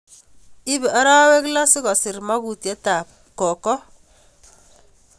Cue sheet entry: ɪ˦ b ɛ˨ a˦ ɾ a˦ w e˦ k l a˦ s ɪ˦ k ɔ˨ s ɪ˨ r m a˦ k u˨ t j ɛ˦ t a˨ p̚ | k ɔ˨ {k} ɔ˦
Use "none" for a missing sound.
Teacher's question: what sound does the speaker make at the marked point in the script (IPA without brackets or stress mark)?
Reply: k